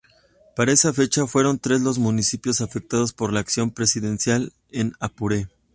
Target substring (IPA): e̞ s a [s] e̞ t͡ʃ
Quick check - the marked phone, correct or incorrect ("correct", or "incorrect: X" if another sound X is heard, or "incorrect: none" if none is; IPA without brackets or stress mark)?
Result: incorrect: f